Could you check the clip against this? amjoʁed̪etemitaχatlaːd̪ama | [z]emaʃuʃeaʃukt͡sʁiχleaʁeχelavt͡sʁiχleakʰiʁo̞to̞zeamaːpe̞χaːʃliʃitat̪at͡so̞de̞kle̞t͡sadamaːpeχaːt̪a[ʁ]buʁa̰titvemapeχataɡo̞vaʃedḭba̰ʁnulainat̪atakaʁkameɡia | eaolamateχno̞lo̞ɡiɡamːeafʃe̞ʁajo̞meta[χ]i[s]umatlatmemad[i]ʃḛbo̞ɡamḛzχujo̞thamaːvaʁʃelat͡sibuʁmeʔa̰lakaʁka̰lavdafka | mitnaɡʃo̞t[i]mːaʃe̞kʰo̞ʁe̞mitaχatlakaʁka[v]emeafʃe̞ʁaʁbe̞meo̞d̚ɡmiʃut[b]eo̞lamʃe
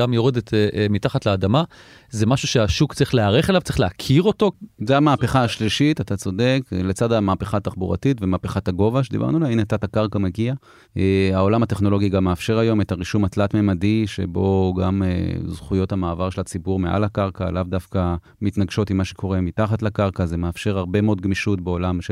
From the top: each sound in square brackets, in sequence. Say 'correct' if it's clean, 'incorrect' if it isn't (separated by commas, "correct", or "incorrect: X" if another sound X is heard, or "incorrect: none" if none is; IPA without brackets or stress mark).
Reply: correct, incorrect: χ, incorrect: ʁ, incorrect: ʃ, correct, correct, incorrect: z, correct